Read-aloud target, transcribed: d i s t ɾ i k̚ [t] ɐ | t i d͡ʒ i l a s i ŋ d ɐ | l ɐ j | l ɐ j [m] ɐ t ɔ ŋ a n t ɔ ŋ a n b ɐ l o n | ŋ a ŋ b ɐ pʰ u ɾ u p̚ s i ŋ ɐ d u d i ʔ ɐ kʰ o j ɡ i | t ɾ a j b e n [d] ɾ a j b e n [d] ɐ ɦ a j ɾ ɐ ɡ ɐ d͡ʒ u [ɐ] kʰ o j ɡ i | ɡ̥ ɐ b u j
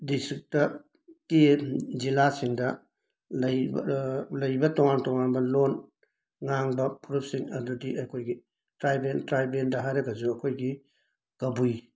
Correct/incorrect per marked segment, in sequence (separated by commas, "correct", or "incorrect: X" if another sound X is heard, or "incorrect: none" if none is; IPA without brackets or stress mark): correct, incorrect: b, incorrect: t, correct, correct